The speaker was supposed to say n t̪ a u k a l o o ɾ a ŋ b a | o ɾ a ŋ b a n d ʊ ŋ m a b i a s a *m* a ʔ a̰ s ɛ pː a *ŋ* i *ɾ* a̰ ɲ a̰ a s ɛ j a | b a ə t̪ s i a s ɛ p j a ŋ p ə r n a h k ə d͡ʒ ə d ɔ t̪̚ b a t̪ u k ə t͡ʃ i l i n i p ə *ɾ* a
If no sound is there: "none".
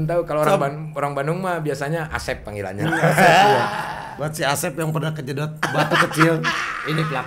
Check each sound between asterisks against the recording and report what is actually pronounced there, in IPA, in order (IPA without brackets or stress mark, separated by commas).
ɲ, ŋ, l, l